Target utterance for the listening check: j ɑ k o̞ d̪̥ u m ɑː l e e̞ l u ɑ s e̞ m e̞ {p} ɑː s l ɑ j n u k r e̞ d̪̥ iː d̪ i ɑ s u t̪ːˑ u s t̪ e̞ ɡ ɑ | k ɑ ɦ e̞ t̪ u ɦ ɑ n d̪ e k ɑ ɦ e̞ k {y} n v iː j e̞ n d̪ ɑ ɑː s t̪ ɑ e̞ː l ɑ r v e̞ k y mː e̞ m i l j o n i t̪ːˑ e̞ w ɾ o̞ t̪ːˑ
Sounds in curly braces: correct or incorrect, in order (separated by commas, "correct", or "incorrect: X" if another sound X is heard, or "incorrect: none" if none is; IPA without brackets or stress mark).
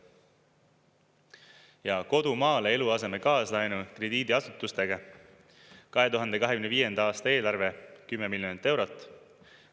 incorrect: k, correct